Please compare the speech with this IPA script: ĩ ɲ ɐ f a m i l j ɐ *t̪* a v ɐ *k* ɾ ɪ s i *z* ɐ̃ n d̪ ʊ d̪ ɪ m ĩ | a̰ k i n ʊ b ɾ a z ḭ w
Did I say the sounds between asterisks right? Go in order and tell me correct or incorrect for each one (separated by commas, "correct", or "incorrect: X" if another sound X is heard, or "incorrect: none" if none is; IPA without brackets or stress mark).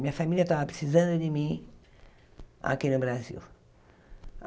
correct, incorrect: p, correct